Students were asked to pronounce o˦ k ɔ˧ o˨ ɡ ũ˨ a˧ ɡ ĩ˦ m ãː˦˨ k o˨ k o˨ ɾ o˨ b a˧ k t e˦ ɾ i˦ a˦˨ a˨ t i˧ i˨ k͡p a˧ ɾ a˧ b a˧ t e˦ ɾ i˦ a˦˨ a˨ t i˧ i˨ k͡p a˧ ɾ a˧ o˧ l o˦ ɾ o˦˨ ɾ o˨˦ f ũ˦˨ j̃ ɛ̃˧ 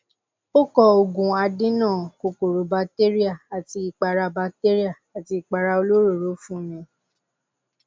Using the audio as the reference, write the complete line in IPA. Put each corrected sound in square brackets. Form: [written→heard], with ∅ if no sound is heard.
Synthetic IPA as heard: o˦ k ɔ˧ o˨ ɡ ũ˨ a˧ [ɡ→d] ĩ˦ [m→n] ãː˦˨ k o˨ k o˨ ɾ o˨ b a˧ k t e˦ ɾ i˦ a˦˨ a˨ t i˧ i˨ k͡p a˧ ɾ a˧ b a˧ t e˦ ɾ i˦ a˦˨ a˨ t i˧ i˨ k͡p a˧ ɾ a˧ o˧ l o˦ ɾ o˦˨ ɾ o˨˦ f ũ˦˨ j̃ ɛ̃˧